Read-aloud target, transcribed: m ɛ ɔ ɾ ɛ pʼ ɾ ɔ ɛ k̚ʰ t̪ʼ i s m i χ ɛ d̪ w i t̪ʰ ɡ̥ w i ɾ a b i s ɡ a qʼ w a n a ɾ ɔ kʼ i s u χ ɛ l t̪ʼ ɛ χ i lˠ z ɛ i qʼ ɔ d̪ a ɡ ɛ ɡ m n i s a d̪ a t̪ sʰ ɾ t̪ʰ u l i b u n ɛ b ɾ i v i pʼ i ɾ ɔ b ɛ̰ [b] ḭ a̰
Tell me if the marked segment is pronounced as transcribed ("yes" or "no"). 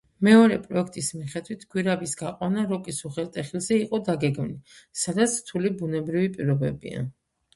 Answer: yes